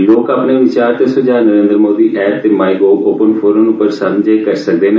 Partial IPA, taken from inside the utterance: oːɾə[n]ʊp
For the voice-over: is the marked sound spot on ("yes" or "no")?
yes